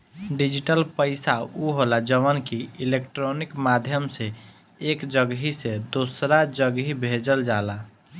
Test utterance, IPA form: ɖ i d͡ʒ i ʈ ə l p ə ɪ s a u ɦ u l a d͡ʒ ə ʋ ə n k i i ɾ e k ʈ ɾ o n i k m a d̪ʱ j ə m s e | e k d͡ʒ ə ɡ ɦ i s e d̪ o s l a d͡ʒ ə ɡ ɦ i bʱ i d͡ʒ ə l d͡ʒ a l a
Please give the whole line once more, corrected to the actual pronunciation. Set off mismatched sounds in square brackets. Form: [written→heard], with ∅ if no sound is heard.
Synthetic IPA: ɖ i d͡ʒ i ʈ ə l p ə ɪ s a u ɦ [u→o] l a d͡ʒ ə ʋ ə n k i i [ɾ→l] e k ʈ ɾ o n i k m a d̪ʱ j ə m s e | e k d͡ʒ ə ɡ ɦ i s e d̪ o s [l→ɾ] a d͡ʒ ə ɡ ɦ i bʱ [i→e] d͡ʒ ə l d͡ʒ a l a